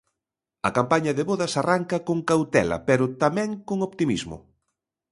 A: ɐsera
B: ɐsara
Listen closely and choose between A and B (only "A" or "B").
B